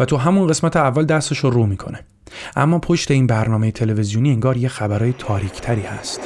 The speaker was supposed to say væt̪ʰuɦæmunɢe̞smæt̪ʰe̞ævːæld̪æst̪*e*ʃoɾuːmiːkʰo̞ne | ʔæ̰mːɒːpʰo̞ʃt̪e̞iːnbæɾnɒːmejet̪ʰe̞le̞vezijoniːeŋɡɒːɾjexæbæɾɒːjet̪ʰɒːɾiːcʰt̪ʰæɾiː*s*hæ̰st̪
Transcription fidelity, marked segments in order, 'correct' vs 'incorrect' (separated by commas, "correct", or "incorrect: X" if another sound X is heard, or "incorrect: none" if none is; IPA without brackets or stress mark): correct, incorrect: none